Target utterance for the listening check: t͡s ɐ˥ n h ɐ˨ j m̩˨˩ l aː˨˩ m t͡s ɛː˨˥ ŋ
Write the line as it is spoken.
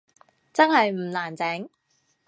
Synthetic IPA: t͡s ɐ˥ n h ɐ˨ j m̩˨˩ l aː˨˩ n t͡s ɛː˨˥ ŋ